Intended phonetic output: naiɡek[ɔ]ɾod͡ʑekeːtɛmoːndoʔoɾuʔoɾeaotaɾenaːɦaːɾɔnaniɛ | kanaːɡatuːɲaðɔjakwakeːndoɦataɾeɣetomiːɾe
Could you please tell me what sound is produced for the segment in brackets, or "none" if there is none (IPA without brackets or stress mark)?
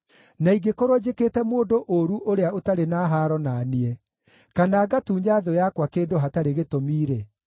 o